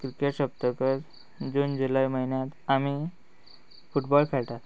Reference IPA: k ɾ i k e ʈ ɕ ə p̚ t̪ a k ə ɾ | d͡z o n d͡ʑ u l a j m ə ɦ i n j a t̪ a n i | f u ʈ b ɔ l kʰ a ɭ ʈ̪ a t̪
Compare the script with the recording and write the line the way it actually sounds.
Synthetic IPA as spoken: k ɾ i k e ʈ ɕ ə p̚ t̪ ə k ə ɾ | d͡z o n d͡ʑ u l a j m ə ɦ i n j a t̪ a m i | f u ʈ b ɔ l kʰ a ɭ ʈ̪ a t̪